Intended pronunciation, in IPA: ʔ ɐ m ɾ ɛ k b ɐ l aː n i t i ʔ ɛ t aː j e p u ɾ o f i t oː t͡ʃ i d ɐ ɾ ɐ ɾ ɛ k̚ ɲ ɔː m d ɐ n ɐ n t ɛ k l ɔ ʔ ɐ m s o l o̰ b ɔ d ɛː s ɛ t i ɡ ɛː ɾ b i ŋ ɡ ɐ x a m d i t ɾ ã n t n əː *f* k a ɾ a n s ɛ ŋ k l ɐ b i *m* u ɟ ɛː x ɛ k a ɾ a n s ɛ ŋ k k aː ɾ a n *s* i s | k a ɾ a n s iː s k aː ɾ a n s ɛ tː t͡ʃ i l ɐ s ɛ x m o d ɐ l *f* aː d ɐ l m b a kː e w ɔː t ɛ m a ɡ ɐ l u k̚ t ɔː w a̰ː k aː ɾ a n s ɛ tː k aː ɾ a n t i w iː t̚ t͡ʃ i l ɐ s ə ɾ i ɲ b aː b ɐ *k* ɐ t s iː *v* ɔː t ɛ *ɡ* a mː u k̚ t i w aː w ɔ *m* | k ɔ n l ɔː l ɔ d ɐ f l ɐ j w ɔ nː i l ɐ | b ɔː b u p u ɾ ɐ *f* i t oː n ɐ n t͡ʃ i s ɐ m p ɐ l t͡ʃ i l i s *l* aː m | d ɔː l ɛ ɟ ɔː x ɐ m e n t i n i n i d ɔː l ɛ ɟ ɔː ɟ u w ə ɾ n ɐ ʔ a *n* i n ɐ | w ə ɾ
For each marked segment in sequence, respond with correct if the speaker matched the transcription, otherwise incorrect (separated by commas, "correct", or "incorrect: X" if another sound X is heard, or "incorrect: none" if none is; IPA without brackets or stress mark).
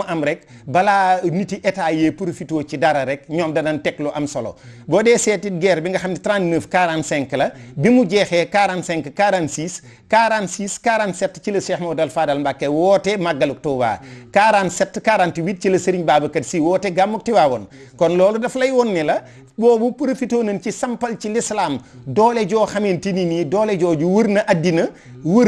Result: correct, correct, correct, correct, correct, incorrect: w, correct, incorrect: n, correct, correct, incorrect: d